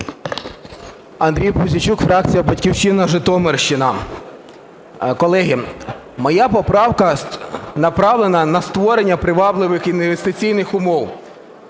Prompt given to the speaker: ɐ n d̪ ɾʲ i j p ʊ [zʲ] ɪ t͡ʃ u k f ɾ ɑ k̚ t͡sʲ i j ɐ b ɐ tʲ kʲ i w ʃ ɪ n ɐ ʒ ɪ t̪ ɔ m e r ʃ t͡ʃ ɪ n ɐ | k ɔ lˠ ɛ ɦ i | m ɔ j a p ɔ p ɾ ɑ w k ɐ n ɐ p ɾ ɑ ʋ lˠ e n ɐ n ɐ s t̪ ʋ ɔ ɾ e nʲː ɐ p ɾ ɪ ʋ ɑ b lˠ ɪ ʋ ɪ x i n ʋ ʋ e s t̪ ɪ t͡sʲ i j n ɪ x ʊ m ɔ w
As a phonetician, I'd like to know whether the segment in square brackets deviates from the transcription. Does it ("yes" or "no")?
no